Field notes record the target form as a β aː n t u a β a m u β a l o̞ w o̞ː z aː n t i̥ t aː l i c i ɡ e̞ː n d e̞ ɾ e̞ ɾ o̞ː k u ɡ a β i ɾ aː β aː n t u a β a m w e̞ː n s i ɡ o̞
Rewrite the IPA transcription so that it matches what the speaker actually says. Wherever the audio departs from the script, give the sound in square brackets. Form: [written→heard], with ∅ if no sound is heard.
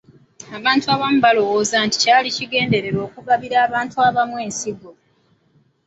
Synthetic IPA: a β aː n t u a β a m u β a l o̞ w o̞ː z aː n t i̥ [t→c] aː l i c i ɡ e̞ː n d e̞ ɾ e̞ ɾ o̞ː k u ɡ a β i ɾ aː β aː n t u a β a m w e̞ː n s i ɡ o̞